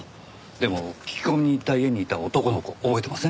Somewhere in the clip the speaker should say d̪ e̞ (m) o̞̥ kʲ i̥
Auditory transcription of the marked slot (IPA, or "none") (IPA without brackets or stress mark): m